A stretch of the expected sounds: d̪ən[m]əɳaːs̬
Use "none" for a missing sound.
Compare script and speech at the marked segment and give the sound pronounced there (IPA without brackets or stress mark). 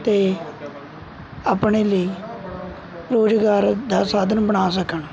b